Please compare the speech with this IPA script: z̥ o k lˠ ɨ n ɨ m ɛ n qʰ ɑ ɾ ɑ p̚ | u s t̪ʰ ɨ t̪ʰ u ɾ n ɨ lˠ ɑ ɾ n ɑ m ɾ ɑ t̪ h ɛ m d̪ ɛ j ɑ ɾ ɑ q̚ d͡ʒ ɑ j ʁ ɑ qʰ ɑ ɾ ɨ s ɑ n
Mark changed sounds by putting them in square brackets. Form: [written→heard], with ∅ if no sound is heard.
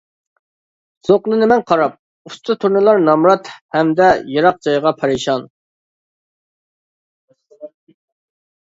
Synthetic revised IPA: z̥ o [k→q] lˠ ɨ n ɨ m ɛ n qʰ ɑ ɾ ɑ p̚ | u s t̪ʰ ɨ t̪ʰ u ɾ n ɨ lˠ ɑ ɾ n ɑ m ɾ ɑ t̪ h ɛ m d̪ ɛ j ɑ ɾ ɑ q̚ d͡ʒ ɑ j ʁ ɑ [qʰ→pʰ] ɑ ɾ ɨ [s→ʃ] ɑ n